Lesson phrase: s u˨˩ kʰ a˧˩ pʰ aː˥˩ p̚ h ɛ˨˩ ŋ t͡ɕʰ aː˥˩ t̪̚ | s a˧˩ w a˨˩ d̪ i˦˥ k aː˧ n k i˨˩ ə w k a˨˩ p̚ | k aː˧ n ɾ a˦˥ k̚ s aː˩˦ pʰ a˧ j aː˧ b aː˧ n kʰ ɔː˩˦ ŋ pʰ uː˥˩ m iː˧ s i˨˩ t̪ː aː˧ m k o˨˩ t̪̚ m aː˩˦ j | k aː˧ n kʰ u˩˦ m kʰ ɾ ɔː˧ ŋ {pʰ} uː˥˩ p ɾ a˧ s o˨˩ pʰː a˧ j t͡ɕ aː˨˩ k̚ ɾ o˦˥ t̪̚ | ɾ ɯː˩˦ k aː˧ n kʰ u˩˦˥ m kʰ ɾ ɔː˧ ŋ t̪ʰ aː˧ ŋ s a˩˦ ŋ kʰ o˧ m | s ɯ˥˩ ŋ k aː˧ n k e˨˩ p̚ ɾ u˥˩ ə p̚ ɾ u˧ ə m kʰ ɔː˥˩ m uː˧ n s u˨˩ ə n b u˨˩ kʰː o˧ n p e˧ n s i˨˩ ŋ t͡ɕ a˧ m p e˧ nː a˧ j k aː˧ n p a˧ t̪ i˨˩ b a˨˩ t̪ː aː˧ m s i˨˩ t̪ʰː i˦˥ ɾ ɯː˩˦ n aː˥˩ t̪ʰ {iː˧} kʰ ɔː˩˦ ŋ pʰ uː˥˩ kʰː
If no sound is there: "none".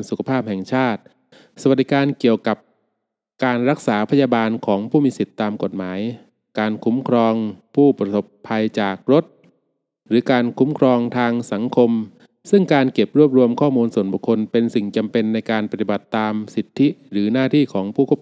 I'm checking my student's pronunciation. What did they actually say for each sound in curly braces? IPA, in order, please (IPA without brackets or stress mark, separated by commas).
pʰ, iː˥˩